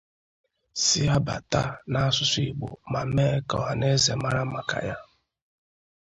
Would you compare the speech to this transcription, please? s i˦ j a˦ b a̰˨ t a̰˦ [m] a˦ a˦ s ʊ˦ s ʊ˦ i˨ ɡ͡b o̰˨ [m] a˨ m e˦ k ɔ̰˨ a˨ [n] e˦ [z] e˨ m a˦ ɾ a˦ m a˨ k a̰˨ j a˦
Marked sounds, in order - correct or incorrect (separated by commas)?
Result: incorrect, correct, correct, correct